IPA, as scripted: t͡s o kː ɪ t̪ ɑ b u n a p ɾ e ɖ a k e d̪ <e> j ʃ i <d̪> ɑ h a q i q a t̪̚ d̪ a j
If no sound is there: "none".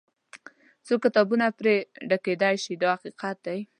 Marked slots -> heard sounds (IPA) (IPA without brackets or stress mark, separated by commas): a, d̪